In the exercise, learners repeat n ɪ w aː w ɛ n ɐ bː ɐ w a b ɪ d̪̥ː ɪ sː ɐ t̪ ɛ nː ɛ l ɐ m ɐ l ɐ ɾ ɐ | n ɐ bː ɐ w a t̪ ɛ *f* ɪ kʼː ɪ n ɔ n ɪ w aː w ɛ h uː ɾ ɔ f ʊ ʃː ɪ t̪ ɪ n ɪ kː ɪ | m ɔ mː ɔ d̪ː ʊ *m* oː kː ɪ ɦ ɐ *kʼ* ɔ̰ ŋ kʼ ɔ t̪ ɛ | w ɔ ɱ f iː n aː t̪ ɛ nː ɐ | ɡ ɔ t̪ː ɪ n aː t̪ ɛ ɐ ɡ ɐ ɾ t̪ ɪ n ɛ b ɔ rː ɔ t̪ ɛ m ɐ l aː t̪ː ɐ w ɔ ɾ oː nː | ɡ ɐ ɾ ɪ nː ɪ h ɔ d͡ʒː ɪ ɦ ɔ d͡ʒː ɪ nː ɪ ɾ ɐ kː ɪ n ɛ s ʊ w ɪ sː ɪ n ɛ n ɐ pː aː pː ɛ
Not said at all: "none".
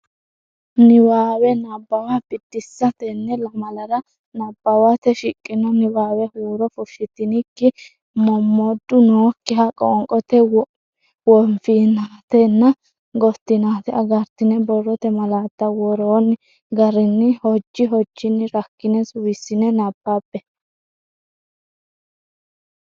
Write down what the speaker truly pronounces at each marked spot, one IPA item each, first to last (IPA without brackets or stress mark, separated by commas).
ʃ, n, kʼ